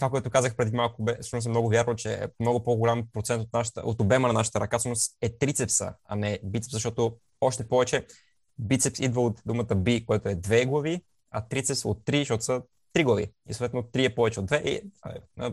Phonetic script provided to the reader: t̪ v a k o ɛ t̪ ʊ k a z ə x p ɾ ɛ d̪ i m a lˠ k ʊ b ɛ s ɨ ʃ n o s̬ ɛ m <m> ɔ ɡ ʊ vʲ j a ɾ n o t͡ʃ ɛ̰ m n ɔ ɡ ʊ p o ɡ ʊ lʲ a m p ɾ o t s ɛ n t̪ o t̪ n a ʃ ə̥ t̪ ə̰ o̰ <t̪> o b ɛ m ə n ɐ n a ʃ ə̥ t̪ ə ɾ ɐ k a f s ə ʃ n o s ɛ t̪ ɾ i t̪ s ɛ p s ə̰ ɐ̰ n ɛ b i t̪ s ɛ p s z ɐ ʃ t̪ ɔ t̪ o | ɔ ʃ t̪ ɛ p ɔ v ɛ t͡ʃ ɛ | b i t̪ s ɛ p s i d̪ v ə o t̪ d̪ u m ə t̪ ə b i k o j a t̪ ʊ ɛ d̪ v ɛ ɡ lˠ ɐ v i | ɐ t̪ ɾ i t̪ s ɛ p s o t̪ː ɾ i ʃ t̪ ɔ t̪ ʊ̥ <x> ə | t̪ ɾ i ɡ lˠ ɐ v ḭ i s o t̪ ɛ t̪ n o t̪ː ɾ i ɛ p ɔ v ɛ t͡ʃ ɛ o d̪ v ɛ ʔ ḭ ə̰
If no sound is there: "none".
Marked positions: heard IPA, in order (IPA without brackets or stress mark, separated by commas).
n, t̪, s